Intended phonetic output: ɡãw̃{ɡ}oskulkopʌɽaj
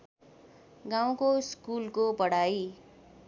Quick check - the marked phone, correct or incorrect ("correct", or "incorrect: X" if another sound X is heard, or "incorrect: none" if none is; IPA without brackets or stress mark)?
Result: incorrect: k